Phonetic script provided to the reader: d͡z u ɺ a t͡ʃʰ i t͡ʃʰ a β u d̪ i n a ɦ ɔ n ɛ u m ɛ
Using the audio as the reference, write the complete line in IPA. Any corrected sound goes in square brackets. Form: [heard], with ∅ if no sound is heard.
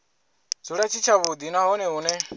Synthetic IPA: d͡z u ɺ a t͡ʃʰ i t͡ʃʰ a β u d̪ i n a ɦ ɔ n ɛ u [n] ɛ